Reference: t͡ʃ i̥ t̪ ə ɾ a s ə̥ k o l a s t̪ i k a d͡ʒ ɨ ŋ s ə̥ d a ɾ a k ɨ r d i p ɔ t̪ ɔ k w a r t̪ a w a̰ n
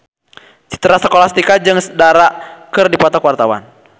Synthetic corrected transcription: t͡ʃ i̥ t̪ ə ɾ a s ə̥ k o l a s t̪ i k a d͡ʒ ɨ ŋ s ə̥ d a ɾ a k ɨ r d i p ɔ t̪ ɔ k w a r t̪ a w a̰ n